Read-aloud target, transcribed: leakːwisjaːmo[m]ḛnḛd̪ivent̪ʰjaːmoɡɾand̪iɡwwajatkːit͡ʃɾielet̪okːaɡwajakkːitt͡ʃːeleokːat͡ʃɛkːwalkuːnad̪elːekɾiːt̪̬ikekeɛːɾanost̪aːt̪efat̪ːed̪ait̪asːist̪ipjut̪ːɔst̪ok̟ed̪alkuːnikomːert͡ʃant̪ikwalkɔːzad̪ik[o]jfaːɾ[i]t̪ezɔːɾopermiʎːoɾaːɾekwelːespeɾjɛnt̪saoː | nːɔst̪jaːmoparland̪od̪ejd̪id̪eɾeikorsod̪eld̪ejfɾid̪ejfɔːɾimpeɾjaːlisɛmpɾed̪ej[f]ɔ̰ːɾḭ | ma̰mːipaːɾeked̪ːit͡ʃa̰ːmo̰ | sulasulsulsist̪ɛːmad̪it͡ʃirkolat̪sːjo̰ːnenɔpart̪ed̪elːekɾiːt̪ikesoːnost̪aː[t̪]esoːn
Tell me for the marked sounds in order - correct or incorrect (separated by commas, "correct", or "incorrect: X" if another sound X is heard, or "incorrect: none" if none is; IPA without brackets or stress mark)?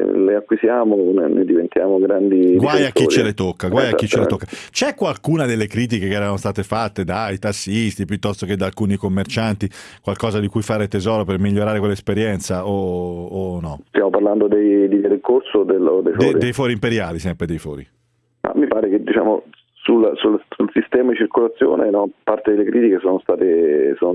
incorrect: n, incorrect: u, incorrect: e, correct, correct